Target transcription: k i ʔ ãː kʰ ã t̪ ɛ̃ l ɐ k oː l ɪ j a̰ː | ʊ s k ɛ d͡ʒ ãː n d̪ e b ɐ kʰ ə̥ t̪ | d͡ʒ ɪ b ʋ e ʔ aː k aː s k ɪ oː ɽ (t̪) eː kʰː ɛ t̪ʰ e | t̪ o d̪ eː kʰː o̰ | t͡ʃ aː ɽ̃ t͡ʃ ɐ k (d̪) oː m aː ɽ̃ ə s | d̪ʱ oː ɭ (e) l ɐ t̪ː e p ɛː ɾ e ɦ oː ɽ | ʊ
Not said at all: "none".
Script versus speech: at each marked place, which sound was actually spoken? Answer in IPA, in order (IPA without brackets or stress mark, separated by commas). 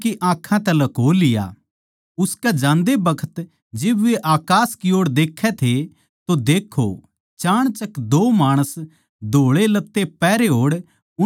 d̪, d̪, e